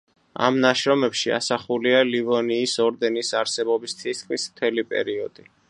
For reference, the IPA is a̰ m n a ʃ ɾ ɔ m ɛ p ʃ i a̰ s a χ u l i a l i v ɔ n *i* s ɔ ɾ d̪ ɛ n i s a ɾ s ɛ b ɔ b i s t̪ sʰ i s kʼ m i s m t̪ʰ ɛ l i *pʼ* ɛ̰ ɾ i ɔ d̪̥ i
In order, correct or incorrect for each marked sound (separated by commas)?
incorrect, correct